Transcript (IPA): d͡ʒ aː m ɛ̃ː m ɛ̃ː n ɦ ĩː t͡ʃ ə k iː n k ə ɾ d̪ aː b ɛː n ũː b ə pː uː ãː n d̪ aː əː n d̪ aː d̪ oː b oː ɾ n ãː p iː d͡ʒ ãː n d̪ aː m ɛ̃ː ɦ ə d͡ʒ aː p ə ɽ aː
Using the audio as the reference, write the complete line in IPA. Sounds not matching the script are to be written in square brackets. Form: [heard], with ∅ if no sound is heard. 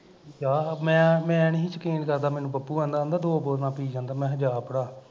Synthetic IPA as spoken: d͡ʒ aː m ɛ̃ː m ɛ̃ː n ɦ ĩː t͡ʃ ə k iː n k ə ɾ d̪ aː [m] ɛː n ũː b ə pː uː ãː n d̪ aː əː n d̪ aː d̪ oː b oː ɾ n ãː p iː d͡ʒ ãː n d̪ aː m ɛ̃ː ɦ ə d͡ʒ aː p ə ɽ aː

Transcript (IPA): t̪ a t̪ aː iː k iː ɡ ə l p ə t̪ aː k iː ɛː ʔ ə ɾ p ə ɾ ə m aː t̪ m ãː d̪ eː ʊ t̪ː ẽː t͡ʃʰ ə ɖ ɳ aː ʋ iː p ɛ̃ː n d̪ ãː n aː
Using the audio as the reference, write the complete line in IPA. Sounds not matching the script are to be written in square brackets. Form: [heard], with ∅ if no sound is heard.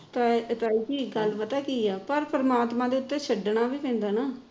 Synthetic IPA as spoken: t̪ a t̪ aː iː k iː ɡ ə l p ə t̪ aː k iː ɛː [p] ə ɾ p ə ɾ ə m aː t̪ m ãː d̪ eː ʊ t̪ː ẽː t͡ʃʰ ə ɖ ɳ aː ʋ iː p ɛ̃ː n d̪ [aː] n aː

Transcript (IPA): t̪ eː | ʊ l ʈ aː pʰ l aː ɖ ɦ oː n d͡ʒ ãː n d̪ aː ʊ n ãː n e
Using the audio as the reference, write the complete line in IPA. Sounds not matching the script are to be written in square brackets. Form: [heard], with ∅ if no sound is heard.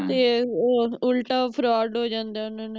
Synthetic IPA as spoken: t̪ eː | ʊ l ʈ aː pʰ [ɾ] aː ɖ ɦ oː [∅] d͡ʒ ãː n d̪ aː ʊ n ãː n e

